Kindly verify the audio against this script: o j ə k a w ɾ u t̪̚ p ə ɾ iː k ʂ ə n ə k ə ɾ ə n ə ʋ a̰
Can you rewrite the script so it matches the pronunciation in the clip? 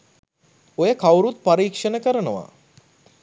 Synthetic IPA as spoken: o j ə k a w ɾ u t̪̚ p a ɾ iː k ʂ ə n ə k ə ɾ ə n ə ʋ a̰